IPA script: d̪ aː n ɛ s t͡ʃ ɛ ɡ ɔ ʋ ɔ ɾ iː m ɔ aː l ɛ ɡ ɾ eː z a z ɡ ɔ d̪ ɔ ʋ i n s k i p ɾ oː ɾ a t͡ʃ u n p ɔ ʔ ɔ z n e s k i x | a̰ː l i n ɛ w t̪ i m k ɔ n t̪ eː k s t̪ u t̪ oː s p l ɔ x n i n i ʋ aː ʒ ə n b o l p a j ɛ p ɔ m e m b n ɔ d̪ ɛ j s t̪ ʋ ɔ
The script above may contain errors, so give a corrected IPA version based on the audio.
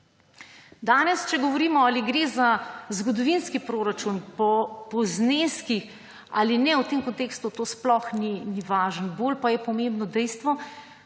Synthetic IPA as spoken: d̪ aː n ɛ s t͡ʃ ɛ ɡ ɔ ʋ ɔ ɾ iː m ɔ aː l i ɡ ɾ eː z a z ɡ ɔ d̪ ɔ ʋ i n s k i p ɾ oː ɾ a t͡ʃ u n p ɔ p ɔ z n e s k i x | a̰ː l i n ɛ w t̪ e m k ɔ n t̪ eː k s t̪ u t̪ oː s p l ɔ x n i n i ʋ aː ʒ ə n b o l p a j ɛ p ɔ m e m b n ɔ d̪ ɛ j s t̪ ʋ ɔ